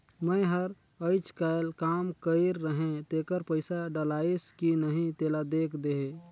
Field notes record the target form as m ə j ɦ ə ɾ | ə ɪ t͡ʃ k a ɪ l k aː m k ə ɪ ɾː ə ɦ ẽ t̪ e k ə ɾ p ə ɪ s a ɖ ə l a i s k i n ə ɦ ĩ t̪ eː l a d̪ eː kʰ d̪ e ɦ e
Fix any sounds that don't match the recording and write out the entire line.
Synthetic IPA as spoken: m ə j ɦ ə ɾ | ə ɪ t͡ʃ k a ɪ l k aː m k ə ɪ ɾː ə ɦ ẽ t̪ e k ə ɾ p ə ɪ s a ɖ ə l a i s k i n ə ɦ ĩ t̪ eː l a d̪ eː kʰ d̪ e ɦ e

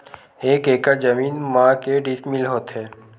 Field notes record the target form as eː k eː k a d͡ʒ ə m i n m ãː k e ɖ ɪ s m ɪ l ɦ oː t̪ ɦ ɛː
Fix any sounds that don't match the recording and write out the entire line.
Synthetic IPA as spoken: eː k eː k a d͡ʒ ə m iː n m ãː k e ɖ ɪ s m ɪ l ɦ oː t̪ ɦ ɛː

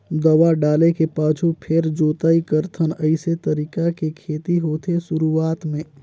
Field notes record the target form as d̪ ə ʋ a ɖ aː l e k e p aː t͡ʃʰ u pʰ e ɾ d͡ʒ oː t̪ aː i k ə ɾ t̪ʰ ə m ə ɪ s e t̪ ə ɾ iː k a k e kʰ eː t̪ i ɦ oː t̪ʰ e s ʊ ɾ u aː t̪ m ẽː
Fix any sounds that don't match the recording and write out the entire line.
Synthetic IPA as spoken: d̪ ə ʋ a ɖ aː l e k e p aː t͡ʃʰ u pʰ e ɾ d͡ʒ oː t̪ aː i k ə ɾ t̪ʰ ə n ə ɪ s e t̪ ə ɾ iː k a k e kʰ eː t̪ i ɦ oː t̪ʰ e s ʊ ɾ u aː t̪ m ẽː

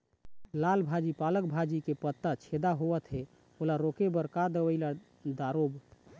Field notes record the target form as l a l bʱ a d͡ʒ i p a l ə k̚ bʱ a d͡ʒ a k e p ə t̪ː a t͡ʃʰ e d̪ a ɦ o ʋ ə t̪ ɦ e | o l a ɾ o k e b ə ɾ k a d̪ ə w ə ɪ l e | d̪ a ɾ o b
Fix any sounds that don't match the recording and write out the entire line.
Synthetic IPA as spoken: l a l bʱ a d͡ʒ i p a l ə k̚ bʱ a d͡ʒ i k e p ə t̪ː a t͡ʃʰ e d̪ a ɦ o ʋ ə t̪ ɦ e | o l a ɾ o k e b ə ɾ k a d̪ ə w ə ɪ l a | d̪ a ɾ o b

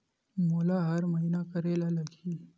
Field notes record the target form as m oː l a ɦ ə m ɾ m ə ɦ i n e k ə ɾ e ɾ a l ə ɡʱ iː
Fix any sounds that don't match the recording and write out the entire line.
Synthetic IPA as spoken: m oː l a ɦ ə ɾ m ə ɦ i n a k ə ɾ e l a l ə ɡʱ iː

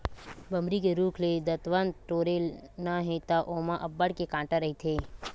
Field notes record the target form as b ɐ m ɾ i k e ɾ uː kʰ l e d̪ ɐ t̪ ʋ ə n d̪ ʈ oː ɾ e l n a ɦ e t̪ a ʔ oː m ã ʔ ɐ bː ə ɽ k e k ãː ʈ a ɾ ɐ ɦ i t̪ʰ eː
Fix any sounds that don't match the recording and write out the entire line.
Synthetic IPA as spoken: b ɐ m ɾ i k e ɾ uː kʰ l e d̪ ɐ t̪ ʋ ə n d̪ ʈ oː ɾ e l n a ɦ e t̪ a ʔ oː m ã ʔ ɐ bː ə ɽ k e k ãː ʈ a ɾ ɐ ɦ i t̪ʰ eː

